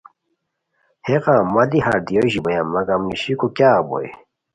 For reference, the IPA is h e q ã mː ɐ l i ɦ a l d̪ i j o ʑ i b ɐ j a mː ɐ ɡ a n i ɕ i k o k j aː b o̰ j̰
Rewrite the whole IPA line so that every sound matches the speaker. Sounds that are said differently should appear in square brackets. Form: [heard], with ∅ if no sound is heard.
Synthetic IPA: h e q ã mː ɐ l i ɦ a [ɾ] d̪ i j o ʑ i b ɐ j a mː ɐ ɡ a [m] i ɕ i k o k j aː b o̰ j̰